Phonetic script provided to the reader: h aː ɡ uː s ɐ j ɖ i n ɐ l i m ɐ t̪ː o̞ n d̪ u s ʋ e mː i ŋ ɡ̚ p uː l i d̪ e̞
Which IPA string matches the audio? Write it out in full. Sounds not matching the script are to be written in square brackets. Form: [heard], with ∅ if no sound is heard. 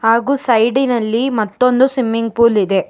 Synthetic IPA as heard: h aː ɡ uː s ɐ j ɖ i n ɐ [lː] i m ɐ t̪ː o̞ n d̪ u s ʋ [i] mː i ŋ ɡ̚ p uː l i d̪ e̞